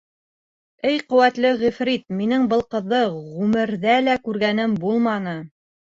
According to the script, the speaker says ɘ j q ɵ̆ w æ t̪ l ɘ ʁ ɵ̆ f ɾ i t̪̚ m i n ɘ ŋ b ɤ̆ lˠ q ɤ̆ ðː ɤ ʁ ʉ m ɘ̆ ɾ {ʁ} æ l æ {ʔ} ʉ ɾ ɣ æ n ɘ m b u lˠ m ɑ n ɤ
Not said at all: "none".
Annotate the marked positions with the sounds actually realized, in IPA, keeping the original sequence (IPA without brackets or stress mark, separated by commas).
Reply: ð, k